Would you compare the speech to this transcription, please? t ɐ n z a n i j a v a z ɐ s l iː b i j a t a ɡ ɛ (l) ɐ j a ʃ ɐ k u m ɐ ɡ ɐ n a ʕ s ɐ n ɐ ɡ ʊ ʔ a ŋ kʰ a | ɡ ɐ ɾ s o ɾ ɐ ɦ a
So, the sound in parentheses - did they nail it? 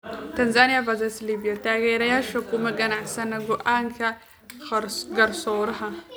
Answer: no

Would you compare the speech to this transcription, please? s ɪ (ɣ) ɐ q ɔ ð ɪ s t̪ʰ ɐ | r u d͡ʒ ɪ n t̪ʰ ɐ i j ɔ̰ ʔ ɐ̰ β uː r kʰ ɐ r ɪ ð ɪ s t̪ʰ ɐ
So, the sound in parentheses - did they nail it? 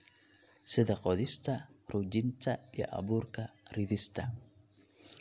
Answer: no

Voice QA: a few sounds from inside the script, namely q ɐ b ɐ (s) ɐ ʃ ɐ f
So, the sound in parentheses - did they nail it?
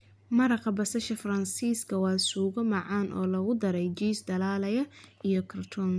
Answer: yes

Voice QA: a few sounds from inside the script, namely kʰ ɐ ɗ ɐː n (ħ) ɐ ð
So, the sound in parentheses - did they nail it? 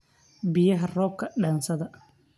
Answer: no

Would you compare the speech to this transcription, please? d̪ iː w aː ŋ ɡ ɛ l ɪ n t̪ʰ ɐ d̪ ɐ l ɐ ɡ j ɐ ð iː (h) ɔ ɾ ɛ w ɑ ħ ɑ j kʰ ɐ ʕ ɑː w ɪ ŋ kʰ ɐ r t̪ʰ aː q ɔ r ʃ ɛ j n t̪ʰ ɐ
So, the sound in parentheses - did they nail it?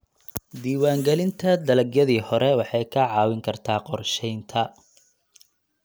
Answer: yes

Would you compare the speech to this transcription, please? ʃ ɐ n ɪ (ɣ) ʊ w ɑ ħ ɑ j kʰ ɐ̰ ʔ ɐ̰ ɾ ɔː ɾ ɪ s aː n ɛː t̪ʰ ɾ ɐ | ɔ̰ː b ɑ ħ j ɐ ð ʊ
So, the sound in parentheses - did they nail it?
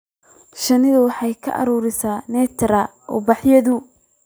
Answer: no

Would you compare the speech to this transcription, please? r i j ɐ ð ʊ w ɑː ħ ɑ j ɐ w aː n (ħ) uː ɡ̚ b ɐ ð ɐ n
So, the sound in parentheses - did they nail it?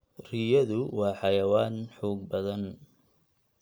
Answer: yes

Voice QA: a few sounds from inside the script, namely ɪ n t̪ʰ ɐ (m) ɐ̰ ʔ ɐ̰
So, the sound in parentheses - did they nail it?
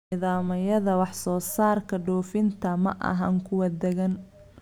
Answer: yes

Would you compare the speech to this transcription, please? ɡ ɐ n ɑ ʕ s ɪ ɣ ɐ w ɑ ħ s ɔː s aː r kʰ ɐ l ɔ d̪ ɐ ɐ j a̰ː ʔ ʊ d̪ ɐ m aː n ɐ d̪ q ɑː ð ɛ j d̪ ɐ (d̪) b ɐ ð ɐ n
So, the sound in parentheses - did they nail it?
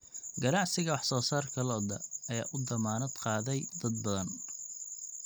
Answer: yes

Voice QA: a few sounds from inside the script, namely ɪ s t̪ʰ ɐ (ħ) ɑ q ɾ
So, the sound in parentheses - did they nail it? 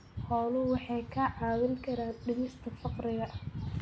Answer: no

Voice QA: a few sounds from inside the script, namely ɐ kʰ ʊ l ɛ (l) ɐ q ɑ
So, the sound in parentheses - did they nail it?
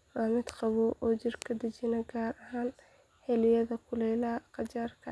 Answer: yes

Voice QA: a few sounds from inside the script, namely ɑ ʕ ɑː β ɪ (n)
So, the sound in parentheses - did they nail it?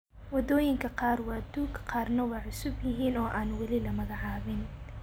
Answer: yes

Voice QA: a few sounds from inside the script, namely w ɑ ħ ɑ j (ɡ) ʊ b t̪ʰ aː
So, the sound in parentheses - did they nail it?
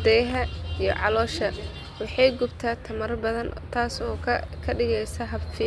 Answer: yes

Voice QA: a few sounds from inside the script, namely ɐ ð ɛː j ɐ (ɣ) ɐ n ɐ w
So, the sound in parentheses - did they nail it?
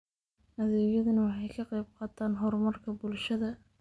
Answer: no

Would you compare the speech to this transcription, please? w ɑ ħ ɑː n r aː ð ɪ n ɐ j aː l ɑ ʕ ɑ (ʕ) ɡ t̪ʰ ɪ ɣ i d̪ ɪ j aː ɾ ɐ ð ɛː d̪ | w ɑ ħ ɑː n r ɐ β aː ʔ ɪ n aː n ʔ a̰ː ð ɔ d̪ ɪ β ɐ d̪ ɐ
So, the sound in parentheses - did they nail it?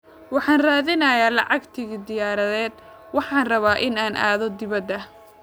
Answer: no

